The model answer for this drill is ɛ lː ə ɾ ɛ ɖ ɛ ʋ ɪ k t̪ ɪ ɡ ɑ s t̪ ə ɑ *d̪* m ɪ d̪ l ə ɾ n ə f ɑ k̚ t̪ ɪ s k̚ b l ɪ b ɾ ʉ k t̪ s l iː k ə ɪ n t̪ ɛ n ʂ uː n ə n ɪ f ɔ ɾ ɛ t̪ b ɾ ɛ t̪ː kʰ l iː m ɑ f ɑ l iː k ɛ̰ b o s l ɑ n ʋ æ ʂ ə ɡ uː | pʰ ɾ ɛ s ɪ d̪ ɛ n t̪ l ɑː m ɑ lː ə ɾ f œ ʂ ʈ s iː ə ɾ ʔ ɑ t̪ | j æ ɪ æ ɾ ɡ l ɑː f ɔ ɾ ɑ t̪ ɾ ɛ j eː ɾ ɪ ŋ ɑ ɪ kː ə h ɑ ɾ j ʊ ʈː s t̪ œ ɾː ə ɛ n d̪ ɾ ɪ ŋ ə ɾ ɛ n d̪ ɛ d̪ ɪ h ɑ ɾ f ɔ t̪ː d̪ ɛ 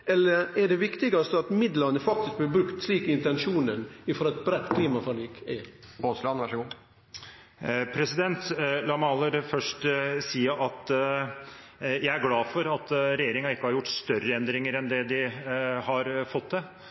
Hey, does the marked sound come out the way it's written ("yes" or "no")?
no